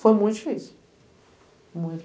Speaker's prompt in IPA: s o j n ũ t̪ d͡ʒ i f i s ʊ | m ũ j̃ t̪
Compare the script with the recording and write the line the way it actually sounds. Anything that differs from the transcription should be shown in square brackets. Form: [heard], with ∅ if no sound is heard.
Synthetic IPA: [f] o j [m] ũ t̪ d͡ʒ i f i s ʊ | m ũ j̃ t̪